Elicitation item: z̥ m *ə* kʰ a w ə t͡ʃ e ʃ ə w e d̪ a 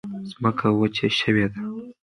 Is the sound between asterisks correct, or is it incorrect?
correct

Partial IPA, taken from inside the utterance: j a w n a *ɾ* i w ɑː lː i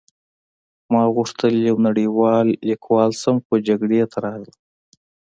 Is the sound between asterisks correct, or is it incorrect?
incorrect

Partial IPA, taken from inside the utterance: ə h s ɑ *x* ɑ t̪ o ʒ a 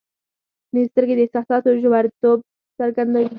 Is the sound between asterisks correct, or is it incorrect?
incorrect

